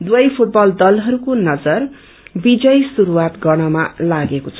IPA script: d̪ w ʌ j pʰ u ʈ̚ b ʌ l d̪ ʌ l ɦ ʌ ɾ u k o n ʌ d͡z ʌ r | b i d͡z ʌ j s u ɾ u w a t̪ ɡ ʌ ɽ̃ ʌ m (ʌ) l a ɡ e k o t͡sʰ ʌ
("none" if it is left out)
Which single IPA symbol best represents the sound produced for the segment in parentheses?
a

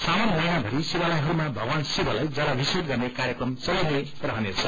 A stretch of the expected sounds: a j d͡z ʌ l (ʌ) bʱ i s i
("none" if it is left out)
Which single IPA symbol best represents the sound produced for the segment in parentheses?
a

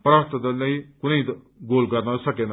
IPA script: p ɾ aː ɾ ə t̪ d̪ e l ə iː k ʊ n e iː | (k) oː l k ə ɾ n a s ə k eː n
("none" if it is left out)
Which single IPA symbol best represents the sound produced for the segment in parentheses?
ɡ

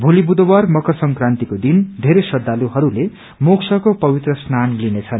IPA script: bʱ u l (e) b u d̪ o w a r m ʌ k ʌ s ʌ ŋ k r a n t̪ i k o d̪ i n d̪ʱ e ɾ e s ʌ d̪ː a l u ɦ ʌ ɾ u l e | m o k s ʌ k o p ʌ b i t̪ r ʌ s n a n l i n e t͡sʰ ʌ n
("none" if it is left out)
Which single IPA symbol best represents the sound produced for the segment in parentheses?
i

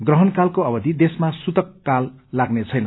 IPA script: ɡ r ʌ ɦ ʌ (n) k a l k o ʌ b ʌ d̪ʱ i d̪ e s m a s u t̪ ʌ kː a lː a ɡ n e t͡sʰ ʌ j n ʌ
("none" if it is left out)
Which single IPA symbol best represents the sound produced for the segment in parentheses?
n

